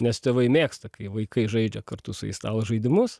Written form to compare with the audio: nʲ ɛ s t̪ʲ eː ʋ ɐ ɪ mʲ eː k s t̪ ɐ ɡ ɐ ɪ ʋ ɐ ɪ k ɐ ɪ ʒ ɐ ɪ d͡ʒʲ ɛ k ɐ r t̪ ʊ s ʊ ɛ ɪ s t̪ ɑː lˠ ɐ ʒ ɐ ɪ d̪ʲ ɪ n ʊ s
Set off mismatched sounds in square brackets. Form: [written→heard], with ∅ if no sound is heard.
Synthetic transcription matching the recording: nʲ ɛ s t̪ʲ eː ʋ ɐ ɪ mʲ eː k s t̪ ɐ [ɡ→k] ɐ ɪ ʋ ɐ ɪ k ɐ ɪ ʒ ɐ ɪ d͡ʒʲ ɛ k ɐ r t̪ ʊ s ʊ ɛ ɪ s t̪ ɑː lˠ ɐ ʒ ɐ ɪ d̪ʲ ɪ [n→m] ʊ s